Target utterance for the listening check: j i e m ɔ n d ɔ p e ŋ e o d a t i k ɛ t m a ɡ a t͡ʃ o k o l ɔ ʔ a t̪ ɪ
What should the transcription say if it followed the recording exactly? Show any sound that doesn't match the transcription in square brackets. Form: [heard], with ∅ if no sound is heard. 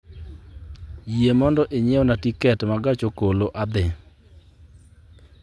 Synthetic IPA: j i e m ɔ n d ɔ [ʔ] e [ɲ] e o [n] a t i k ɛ t m a ɡ a t͡ʃ o k o l [o] ʔ a [d̪] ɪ